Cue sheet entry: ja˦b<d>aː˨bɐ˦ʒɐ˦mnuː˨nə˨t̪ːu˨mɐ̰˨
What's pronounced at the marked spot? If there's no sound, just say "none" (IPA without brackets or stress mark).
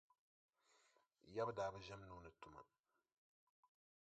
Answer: d